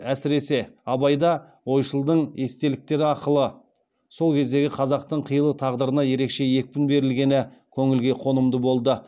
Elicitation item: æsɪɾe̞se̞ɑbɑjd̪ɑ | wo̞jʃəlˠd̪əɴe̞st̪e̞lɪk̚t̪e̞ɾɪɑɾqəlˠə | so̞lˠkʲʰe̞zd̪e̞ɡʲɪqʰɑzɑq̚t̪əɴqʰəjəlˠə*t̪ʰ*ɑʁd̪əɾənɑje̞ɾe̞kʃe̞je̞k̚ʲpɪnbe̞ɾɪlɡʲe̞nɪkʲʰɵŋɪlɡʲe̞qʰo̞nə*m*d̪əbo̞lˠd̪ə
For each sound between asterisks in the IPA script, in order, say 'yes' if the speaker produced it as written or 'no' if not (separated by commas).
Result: yes, yes